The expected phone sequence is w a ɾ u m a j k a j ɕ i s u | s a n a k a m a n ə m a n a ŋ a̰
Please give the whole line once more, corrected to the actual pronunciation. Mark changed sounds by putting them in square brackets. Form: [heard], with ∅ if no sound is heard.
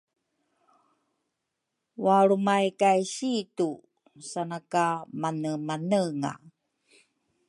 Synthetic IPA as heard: w a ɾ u m a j k a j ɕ i [t] u | s a n a k a m a n ə m a n [ə] ŋ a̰